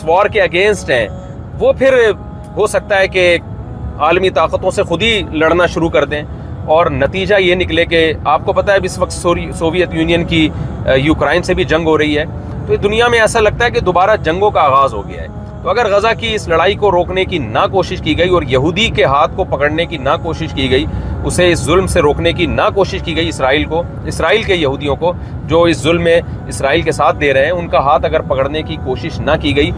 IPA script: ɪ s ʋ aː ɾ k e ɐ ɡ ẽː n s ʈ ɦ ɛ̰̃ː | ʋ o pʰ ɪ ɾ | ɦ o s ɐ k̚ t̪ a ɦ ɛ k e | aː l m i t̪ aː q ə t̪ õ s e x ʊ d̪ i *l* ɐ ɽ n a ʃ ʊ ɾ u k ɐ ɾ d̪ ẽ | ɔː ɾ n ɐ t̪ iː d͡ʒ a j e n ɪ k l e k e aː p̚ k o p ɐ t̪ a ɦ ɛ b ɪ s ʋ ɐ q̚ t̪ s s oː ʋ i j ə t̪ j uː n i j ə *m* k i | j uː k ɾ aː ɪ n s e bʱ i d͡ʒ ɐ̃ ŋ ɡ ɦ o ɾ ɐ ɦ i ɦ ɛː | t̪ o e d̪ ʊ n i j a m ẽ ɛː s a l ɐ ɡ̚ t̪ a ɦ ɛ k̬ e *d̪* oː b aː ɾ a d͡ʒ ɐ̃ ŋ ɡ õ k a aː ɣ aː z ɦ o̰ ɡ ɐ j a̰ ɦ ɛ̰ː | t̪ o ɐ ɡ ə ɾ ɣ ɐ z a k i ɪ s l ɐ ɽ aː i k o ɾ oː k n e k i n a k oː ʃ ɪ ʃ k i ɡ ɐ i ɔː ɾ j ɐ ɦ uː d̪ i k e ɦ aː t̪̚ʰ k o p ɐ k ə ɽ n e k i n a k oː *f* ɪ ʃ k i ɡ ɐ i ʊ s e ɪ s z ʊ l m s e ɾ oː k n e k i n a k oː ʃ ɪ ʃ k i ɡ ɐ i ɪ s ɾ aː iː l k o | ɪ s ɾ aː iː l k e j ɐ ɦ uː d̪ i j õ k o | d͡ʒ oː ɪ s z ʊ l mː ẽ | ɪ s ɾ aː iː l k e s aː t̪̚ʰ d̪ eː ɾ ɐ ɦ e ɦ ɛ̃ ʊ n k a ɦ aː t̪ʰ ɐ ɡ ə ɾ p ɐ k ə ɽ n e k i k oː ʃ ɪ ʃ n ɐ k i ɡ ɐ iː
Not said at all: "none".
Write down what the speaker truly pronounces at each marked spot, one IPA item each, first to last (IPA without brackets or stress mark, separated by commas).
l, n, d̪, ʃ